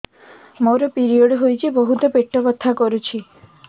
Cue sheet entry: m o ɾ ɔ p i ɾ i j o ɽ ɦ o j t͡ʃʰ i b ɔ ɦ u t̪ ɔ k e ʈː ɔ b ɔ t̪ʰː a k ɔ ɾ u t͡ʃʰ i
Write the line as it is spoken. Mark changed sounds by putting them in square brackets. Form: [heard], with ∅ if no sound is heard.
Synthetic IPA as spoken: m o ɾ ɔ p i ɾ i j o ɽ ɦ o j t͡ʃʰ i b ɔ ɦ u t̪ ɔ [p] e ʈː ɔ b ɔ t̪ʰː a k ɔ ɾ u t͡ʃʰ i